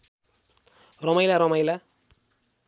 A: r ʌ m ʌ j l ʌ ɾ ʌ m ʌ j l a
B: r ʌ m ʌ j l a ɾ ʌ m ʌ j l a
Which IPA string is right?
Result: B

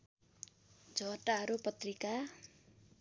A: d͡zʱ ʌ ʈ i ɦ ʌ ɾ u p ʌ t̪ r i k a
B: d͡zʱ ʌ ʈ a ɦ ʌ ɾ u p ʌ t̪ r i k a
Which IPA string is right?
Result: B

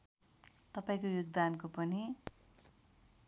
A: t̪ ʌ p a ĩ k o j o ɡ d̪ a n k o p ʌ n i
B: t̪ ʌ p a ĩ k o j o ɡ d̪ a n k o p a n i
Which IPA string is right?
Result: A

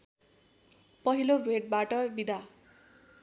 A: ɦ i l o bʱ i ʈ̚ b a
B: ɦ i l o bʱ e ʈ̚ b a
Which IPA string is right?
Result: B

